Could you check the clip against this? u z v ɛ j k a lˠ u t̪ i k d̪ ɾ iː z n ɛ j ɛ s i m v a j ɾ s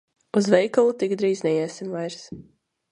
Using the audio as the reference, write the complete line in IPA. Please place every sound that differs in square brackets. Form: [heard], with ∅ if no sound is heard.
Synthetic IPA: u z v ɛ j k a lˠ u t̪ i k d̪ ɾ iː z n ɛ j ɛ s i m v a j ɾ s